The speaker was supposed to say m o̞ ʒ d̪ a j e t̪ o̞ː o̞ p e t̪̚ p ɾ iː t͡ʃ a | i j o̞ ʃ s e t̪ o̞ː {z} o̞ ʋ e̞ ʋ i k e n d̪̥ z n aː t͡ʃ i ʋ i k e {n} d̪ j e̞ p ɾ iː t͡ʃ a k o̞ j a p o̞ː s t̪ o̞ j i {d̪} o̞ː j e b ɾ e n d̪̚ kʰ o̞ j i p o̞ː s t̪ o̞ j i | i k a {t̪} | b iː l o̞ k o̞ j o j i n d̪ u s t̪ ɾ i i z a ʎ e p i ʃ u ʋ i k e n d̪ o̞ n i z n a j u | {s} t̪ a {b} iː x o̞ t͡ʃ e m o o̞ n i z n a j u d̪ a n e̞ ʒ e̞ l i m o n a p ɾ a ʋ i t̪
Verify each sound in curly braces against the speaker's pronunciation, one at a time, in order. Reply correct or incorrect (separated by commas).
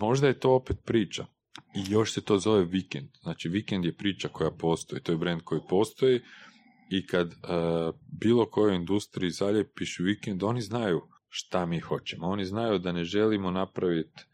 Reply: correct, correct, incorrect, incorrect, incorrect, incorrect